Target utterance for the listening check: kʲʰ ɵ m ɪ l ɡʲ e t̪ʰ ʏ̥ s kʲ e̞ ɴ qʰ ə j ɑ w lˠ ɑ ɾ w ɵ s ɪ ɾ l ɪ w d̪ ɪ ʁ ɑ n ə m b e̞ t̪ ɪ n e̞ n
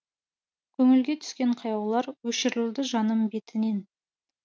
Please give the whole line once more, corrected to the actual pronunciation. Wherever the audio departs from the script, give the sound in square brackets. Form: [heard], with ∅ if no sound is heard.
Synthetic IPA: kʲʰ ɵ [ŋ] ɪ l ɡʲ e t̪ʰ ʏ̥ s kʲ e̞ ɴ qʰ [ɑ] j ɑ w lˠ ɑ ɾ w ɵ [ʃ] ɪ ɾ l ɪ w d̪ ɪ [ʒ] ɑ n ə m b e̞ t̪ ɪ n e̞ n